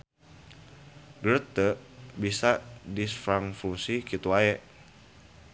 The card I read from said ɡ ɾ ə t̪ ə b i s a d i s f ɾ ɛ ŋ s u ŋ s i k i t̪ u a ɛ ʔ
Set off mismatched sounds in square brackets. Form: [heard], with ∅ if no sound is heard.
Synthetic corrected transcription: ɡ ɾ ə t̪ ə b i s a d i s f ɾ [a] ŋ [f] u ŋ s i k i t̪ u a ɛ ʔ